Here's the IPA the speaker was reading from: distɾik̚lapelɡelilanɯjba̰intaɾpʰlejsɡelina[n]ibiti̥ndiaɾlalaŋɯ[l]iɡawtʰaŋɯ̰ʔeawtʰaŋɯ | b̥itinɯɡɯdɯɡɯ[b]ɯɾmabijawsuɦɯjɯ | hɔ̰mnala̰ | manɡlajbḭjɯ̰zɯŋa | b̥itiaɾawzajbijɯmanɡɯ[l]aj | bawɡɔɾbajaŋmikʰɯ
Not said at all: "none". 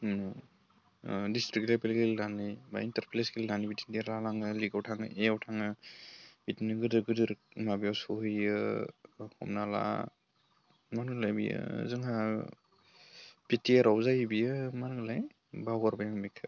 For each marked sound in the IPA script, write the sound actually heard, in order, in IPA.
n, l, d, l

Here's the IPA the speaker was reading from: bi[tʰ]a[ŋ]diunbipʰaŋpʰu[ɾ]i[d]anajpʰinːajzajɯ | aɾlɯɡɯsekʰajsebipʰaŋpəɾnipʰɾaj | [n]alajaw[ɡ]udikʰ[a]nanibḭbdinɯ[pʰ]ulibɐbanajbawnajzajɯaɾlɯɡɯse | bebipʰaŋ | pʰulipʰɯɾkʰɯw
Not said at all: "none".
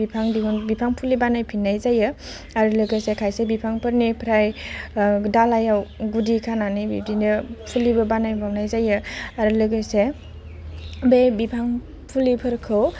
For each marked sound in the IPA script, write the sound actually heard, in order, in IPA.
pʰ, ŋ, l, b, d, ɡ, a, pʰ

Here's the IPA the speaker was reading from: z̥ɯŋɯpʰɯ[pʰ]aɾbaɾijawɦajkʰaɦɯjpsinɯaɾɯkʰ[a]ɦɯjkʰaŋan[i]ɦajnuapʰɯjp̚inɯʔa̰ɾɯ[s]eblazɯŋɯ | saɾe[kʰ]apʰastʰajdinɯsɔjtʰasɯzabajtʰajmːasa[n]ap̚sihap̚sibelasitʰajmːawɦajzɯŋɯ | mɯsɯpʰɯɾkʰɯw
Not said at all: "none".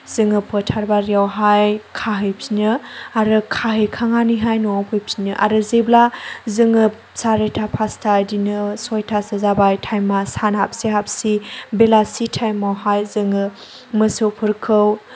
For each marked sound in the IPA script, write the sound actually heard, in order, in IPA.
tʰ, a, i, z, tʰ, n

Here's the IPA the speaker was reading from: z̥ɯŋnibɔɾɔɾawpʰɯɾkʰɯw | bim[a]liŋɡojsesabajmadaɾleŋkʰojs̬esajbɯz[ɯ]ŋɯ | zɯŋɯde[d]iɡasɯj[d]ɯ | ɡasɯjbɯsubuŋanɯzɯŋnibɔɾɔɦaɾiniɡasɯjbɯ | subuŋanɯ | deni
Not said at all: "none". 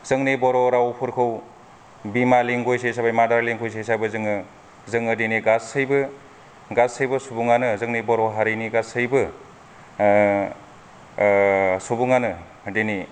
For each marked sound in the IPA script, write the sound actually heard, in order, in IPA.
a, ɯ, n, b

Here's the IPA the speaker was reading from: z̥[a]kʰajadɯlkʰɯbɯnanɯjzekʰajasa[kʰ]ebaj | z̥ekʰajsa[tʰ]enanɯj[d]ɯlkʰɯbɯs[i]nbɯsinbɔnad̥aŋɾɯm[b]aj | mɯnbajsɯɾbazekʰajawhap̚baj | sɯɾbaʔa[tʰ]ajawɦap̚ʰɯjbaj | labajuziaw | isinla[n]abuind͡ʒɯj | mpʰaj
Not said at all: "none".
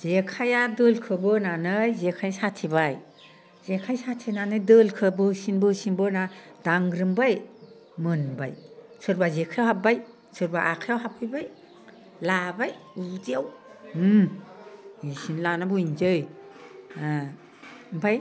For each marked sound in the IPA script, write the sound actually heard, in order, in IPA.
e, tʰ, tʰ, d, i, b, kʰ, n

